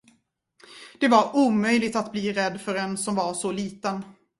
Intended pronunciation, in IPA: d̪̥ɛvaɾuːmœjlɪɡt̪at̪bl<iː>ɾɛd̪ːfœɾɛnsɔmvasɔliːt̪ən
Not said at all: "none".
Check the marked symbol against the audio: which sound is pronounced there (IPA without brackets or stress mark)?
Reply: iː